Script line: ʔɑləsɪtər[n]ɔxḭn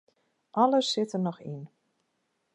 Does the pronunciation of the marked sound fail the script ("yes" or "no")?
no